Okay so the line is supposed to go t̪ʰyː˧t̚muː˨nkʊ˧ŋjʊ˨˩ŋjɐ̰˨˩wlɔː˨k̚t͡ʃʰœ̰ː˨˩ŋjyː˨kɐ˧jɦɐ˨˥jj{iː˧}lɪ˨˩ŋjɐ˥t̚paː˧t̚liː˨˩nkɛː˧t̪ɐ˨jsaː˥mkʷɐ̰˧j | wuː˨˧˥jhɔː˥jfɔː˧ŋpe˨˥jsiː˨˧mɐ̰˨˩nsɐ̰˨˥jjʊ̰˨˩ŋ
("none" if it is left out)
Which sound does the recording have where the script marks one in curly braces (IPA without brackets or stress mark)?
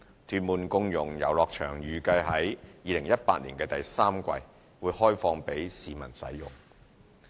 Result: iː˧